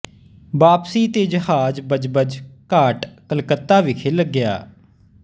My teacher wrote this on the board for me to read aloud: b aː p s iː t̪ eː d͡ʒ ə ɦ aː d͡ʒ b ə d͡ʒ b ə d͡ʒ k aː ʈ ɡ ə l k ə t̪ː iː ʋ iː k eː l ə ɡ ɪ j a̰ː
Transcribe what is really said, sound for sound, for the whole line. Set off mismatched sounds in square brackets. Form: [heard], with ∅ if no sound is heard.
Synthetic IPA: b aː p s iː t̪ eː d͡ʒ ə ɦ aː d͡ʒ b ə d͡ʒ b ə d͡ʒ k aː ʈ [k] ə l k ə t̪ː [aː] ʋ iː [kʰ] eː l ə ɡ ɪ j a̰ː